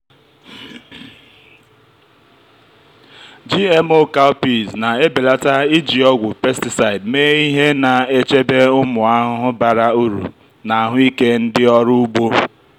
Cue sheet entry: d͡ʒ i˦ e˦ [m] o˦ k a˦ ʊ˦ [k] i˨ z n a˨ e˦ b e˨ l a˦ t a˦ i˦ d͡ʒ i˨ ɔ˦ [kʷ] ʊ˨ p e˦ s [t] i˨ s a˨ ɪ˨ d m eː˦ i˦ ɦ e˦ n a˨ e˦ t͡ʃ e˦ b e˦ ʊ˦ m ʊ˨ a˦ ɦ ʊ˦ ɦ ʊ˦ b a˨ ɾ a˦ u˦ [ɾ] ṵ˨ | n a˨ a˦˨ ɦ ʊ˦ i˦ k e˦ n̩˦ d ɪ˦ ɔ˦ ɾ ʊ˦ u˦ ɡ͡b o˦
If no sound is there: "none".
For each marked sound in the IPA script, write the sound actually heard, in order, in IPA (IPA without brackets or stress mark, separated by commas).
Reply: m, p, ɡʷ, t, ɾ